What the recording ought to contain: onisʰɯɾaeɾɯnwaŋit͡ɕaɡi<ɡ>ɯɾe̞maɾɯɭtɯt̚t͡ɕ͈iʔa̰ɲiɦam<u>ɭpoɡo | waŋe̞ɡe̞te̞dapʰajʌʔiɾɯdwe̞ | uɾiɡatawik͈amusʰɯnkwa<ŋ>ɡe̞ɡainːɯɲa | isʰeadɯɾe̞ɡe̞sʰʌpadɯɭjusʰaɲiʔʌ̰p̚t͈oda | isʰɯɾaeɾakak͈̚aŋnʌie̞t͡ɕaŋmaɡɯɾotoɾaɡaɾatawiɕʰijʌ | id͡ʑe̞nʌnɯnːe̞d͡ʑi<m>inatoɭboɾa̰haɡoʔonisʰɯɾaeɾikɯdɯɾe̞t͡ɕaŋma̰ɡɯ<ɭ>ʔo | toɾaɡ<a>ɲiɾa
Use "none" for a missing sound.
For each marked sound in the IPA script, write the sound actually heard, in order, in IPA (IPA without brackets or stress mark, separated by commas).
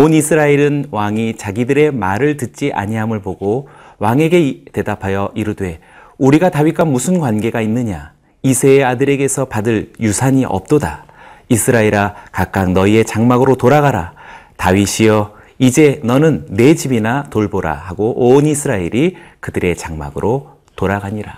d, ɯ, n, b, ɾ, a